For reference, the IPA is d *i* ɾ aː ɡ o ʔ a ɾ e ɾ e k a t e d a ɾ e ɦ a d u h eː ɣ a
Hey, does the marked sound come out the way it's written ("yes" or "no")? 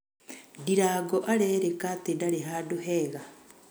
yes